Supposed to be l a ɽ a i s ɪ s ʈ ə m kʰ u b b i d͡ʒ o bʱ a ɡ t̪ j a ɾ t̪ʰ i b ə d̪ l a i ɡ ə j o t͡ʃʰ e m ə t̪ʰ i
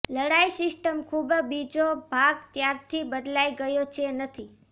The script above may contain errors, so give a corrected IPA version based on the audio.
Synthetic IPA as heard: l ə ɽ a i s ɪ s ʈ ə m kʰ u b b i d͡ʒ o bʱ a ɡ t̪ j a ɾ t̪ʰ i b ə d̪ l a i ɡ ə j o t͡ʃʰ e n ə t̪ʰ i